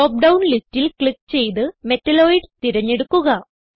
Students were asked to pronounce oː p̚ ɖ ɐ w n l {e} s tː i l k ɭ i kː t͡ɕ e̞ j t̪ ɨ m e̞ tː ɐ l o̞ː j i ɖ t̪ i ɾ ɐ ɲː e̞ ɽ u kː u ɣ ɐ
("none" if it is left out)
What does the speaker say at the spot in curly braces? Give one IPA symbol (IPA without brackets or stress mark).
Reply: i